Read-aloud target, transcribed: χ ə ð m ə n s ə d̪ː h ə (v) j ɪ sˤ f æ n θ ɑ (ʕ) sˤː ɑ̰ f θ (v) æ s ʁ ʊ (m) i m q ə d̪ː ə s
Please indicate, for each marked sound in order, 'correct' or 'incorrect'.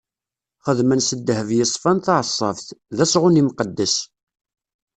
correct, correct, incorrect: ð, incorrect: n

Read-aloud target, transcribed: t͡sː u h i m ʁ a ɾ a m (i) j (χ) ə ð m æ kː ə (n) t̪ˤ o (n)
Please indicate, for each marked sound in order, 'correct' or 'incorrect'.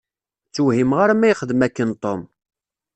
incorrect: æ, correct, correct, incorrect: m

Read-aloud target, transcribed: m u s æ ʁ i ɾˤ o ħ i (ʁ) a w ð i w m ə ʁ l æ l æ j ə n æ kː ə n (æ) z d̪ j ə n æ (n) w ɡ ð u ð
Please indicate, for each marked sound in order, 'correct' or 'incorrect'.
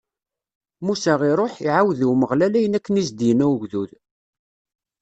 incorrect: ʕ, incorrect: i, incorrect: none

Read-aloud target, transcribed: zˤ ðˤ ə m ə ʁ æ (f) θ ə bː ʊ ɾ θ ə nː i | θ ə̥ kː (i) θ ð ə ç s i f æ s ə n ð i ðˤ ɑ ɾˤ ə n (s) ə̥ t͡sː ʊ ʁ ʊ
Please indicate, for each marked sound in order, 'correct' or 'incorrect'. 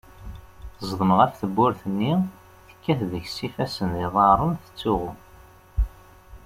correct, incorrect: æ, incorrect: θ

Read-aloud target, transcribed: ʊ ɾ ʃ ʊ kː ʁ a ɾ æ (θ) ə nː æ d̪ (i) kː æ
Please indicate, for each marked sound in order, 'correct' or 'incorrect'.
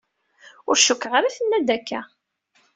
correct, incorrect: æ

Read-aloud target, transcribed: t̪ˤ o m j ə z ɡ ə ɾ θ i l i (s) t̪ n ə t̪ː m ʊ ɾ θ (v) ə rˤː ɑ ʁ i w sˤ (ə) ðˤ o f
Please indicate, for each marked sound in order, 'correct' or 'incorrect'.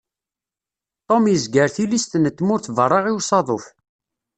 correct, correct, incorrect: ɑ

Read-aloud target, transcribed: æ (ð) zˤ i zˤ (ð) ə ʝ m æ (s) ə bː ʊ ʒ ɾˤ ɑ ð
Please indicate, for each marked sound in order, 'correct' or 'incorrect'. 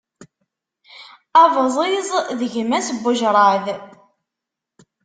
incorrect: v, correct, correct

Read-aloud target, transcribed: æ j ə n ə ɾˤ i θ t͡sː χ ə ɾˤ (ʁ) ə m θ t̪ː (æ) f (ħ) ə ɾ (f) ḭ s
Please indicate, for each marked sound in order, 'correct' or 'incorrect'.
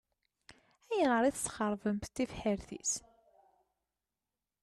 incorrect: v, incorrect: i, correct, incorrect: θ

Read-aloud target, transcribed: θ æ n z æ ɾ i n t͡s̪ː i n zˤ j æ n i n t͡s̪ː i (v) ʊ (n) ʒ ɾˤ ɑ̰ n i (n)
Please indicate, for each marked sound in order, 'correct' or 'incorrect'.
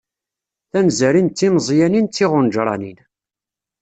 incorrect: ʁ, correct, correct

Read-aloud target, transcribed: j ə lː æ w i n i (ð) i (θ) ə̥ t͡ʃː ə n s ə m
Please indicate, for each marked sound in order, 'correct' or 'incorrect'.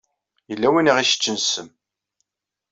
incorrect: ʁ, incorrect: ʃ

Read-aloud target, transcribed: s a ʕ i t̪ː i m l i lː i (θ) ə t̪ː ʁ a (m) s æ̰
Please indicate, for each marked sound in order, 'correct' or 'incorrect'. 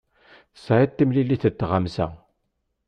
correct, correct

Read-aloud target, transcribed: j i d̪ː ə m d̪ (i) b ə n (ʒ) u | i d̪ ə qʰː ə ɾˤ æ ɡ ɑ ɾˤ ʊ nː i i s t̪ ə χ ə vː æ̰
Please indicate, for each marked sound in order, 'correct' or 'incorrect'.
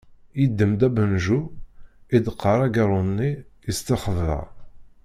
incorrect: æ, correct

